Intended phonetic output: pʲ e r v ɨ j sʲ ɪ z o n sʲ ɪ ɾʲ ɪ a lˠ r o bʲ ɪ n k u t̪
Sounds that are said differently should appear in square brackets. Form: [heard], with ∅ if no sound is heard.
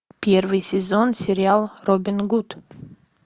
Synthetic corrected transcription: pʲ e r v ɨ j sʲ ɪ z o n sʲ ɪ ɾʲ ɪ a lˠ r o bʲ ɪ n [ɡ] u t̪